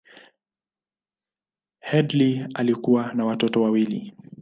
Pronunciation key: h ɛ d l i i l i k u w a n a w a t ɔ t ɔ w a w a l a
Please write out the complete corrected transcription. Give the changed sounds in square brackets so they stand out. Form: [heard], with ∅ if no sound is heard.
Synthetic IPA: h ɛ d l i [a] l i k u w a n a w a t ɔ t ɔ w a w [i] l [i]

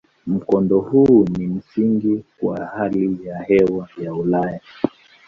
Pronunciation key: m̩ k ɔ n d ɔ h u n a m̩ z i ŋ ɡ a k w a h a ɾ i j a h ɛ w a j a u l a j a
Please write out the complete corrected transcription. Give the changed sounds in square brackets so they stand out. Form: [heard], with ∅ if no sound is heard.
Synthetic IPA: m̩ k ɔ n d ɔ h u n [i] m̩ [s] i ŋ ɡ [i] k w a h a [l] i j a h ɛ w a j a u l a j a

